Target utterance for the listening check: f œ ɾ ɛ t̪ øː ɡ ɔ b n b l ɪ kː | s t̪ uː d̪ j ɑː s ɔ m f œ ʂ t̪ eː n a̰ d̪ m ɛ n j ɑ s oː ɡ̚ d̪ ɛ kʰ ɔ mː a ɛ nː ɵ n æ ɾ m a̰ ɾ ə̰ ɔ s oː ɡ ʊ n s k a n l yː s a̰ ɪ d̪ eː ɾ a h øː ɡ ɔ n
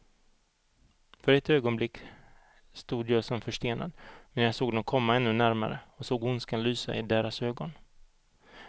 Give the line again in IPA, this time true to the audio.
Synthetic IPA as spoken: f œ ɾ ɛ t̪ øː ɡ ɔ n b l ɪ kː | s t̪ uː d̪ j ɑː s ɔ m f œ ʂ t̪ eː n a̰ d̪ m ɛ n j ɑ s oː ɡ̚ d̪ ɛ kʰ ɔ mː a ɛ nː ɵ n æ ɾ m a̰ ɾ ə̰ ɔ s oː ɡ ʊ n s k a n l yː s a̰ ɪ d̪ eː ɾ a s øː ɡ ɔ n